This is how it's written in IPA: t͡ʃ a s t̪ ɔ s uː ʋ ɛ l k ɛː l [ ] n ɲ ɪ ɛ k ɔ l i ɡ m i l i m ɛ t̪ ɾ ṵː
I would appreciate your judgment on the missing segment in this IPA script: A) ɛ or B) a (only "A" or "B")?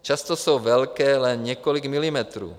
A